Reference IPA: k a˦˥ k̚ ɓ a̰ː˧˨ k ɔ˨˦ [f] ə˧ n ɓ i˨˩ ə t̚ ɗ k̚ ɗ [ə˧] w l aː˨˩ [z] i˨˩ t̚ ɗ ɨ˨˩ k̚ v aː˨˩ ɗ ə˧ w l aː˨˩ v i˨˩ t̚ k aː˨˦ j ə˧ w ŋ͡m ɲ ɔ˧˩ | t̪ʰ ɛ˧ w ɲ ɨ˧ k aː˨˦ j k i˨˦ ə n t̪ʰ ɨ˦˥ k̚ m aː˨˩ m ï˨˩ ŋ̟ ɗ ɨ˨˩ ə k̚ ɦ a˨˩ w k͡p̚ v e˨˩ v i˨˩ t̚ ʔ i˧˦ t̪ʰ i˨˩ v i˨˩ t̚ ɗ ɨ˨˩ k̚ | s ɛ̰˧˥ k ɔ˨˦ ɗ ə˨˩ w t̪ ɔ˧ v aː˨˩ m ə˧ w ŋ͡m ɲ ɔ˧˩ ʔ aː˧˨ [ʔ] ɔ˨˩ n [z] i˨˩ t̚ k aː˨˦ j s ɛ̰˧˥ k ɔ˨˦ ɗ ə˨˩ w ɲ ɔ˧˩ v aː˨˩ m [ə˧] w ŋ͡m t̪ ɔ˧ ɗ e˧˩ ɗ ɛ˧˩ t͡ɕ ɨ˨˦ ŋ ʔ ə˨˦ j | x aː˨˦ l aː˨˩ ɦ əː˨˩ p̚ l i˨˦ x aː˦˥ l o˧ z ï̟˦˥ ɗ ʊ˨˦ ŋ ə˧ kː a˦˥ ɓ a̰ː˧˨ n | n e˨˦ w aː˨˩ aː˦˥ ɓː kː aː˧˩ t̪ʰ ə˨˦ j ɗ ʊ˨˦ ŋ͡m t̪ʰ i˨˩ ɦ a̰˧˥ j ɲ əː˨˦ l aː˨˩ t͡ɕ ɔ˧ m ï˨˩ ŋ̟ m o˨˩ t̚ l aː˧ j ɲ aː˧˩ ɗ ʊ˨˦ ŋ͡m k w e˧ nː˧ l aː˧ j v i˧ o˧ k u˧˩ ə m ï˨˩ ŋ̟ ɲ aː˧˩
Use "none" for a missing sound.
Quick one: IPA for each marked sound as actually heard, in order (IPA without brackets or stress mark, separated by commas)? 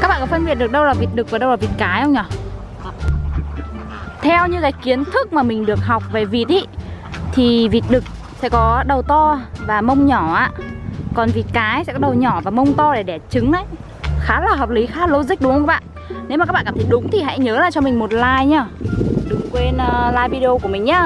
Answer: f, ə˧, v, k, v, ə˧